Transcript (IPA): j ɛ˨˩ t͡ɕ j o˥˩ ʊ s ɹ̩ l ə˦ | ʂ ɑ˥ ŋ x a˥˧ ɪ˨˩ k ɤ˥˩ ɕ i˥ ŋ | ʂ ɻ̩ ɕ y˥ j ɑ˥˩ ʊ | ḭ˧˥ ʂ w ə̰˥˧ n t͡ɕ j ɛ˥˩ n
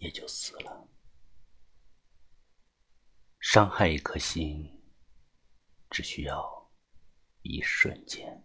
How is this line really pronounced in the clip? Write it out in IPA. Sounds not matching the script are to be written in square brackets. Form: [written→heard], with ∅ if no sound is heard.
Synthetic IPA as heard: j ɛ˨˩ t͡ɕ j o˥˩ ʊ s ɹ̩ l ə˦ | ʂ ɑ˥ ŋ x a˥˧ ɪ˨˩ [k→kʰ] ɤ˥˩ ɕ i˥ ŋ | [ʂ→ʈ͡ʂ] ɻ̩ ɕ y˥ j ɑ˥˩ ʊ | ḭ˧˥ ʂ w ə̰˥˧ n t͡ɕ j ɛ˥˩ n